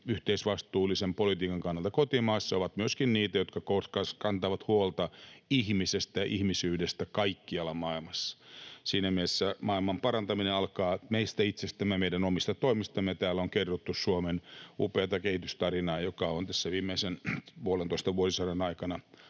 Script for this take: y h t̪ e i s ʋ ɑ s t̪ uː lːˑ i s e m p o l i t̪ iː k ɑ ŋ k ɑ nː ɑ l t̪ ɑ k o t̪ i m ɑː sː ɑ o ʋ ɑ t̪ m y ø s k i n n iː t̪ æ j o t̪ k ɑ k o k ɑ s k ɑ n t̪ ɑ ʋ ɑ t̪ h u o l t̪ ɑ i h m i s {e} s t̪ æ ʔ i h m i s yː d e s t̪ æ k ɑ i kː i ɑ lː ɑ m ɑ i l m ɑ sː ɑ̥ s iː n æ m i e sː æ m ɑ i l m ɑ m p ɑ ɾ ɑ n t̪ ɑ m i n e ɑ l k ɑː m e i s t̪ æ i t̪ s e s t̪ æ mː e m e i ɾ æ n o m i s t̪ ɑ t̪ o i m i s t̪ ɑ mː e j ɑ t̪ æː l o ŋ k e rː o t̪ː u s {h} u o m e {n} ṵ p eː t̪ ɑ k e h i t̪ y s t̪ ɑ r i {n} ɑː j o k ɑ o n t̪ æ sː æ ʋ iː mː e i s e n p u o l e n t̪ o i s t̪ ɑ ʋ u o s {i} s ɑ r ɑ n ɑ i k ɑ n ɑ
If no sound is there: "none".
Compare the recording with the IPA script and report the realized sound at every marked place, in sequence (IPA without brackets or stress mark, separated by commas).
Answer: e, s, n, n, i